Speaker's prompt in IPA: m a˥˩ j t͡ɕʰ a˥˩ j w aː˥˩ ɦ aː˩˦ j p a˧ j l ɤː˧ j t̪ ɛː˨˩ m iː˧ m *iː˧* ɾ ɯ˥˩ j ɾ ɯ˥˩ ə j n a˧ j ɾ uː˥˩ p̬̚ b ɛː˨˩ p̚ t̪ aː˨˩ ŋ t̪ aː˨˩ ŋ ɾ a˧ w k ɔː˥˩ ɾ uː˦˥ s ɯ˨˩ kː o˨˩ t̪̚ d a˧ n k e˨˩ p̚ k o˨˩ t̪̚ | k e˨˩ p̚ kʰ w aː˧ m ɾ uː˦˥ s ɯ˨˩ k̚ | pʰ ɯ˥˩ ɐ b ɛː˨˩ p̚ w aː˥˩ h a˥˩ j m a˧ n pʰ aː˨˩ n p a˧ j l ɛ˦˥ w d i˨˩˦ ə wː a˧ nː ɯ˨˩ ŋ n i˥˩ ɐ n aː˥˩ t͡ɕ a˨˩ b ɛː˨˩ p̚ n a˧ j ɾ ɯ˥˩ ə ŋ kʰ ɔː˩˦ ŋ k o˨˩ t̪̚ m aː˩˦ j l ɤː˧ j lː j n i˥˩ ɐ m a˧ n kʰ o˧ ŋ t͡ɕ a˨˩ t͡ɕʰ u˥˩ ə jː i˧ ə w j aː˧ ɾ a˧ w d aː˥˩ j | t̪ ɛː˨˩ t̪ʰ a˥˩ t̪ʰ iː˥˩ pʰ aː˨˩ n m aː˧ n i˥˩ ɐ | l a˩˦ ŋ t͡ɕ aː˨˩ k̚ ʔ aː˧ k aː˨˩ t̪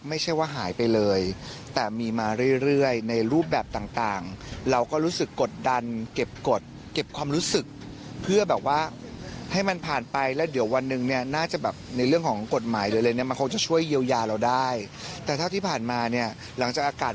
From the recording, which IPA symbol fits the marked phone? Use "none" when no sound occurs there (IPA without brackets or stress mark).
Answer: aː˧